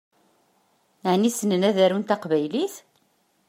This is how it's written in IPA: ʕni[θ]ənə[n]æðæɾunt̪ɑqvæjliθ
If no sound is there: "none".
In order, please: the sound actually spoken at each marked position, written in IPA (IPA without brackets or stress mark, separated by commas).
s, n